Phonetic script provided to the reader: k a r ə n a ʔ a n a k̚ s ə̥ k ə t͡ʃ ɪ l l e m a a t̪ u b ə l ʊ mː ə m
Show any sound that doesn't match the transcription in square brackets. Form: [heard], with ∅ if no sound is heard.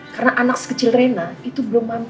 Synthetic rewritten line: k a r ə n a ʔ a n a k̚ s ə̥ k ə t͡ʃ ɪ l [r] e [n] a [i] t̪ u b ə l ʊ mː [a] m